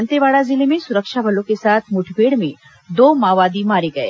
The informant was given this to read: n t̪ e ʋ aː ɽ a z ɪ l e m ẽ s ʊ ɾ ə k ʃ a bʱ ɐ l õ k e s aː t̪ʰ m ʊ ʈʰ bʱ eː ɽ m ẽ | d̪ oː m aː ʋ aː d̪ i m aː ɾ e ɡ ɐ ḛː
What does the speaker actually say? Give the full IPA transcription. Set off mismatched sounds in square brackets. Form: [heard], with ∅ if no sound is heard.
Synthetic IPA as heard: n t̪ e ʋ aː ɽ a z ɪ l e m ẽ s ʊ ɾ ə k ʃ a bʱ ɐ l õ k e s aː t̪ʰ m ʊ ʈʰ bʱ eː ɽ m ẽ | d̪ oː m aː ʋ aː d̪ i m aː ɾ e ɡ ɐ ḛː